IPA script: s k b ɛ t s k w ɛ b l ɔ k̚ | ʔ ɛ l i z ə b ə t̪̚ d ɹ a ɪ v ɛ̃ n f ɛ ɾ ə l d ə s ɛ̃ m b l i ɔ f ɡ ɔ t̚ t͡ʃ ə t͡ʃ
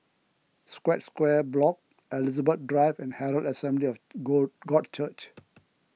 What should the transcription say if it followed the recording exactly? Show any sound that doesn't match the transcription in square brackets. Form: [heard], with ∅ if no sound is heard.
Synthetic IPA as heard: s k [w] ɛ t s k w ɛ b l ɔ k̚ | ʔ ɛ l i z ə b ə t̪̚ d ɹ a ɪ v ɛ̃ n [h] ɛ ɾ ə l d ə s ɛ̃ m b l i ɔ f ɡ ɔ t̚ t͡ʃ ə t͡ʃ